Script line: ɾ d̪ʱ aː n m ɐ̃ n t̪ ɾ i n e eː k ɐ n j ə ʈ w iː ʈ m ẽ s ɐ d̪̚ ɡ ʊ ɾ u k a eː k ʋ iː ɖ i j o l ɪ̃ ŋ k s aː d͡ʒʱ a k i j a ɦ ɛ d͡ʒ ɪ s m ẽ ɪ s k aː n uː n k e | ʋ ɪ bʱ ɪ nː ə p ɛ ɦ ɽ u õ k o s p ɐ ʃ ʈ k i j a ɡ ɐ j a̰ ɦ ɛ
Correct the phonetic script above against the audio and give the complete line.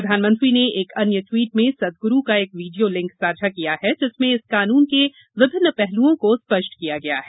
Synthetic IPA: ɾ d̪ʱ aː n m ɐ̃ n t̪ ɾ i n e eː k ɐ n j ə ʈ w iː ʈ m ẽ s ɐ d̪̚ ɡ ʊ ɾ u k a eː k ʋ iː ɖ i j o l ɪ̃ ŋ k s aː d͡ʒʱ a k i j a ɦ ɛ d͡ʒ ɪ s m ẽ ɪ s k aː n uː n k e | ʋ ɪ bʱ ɪ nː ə p ɛ ɦ l u õ k o s p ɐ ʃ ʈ k i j a ɡ ɐ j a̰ ɦ ɛ